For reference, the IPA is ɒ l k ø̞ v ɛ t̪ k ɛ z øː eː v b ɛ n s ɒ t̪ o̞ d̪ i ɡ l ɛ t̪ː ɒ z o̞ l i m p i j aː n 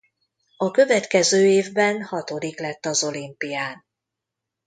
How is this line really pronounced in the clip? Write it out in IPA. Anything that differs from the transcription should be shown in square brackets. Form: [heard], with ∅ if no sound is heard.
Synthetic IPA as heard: ɒ [∅] k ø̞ v ɛ t̪ k ɛ z øː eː v b ɛ n [h] ɒ t̪ o̞ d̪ i [k] l ɛ t̪ː ɒ z o̞ l i m p i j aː n